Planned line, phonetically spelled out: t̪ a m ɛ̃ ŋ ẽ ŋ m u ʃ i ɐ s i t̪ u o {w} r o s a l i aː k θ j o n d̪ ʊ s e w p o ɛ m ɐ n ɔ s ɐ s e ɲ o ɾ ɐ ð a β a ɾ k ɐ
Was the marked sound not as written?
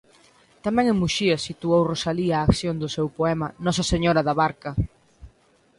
no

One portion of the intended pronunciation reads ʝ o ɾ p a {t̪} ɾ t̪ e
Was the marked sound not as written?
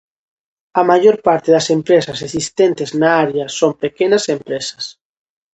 yes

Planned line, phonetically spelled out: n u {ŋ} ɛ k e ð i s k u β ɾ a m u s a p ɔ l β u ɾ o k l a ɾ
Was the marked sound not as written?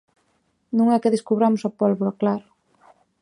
no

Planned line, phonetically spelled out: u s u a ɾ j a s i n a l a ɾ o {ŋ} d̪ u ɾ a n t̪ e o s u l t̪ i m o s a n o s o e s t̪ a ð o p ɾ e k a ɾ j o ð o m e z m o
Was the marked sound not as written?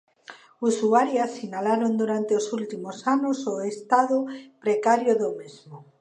yes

